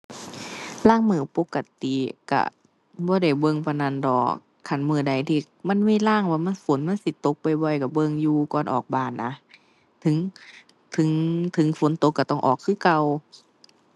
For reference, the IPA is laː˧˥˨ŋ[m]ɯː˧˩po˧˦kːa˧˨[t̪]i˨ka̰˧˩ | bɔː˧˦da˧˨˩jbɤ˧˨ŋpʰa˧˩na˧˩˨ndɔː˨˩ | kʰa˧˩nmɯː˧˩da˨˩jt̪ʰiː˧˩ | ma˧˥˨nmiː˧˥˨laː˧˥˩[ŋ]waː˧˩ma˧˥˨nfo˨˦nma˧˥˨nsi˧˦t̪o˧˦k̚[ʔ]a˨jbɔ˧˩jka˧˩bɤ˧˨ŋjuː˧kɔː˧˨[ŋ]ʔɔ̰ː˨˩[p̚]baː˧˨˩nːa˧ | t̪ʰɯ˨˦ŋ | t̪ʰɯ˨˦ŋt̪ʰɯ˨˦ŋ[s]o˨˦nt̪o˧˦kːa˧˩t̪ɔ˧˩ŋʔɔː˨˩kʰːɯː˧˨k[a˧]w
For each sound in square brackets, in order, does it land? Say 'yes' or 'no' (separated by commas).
yes, yes, yes, no, no, no, no, yes